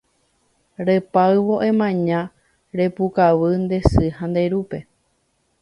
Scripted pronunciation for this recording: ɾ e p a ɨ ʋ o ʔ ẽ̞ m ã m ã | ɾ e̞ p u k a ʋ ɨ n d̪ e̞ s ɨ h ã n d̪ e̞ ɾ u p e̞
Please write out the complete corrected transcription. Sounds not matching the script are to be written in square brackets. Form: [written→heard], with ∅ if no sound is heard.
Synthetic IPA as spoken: ɾ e p a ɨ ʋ o ʔ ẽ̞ m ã [m→ɲ] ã | ɾ e̞ p u k a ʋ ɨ n d̪ e̞ s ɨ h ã n d̪ e̞ ɾ u p e̞